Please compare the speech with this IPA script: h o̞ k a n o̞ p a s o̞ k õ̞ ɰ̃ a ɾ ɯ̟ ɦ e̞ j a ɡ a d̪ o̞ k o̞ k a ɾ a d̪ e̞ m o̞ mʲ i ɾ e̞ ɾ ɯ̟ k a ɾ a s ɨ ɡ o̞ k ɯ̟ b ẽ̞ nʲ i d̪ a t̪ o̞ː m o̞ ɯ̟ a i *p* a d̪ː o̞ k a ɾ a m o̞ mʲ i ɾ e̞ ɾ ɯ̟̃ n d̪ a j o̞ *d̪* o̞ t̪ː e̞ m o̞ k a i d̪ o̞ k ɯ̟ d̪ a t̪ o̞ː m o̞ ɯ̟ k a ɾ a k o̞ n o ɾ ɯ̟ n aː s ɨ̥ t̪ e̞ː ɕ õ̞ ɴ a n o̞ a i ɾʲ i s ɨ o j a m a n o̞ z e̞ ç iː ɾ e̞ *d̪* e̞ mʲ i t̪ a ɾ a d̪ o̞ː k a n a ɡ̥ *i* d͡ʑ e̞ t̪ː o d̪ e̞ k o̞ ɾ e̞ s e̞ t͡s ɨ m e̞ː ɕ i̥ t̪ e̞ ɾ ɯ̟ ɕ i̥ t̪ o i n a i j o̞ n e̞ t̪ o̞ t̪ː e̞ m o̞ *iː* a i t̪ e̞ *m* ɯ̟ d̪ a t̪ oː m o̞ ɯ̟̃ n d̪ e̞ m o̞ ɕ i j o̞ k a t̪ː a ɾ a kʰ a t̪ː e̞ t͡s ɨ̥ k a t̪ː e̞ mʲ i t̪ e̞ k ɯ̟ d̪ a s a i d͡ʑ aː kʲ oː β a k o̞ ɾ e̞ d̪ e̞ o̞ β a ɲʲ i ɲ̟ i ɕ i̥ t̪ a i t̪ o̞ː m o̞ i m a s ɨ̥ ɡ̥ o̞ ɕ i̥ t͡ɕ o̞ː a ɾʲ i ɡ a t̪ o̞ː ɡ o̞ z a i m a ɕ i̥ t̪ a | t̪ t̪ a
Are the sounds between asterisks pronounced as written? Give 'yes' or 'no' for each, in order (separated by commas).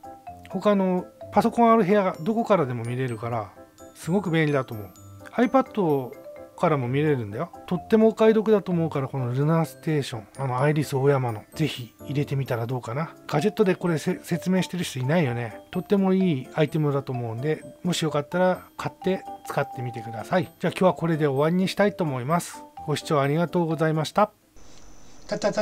yes, no, no, no, yes, yes